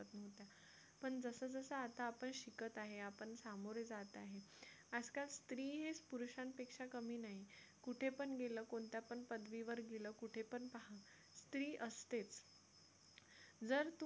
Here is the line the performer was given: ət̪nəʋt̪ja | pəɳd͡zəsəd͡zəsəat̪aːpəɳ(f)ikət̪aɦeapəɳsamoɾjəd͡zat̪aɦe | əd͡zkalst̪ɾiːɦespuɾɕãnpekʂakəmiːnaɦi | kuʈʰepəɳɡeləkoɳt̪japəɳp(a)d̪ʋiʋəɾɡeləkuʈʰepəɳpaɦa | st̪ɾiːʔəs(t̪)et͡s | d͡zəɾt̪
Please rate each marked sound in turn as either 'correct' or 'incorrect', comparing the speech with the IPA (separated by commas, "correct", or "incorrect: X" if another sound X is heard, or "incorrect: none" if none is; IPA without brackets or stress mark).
incorrect: ɕ, incorrect: ə, correct